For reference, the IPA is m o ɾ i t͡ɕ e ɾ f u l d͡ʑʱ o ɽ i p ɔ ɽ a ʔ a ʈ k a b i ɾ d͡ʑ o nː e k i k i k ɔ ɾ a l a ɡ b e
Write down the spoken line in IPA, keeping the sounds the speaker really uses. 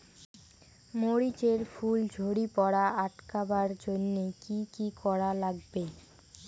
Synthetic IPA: m o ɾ i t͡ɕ e ɾ f u l d͡ʑʱ o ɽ i p ɔ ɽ a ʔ a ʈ k a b a ɾ d͡ʑ o nː e k i k i k ɔ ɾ a l a ɡ b e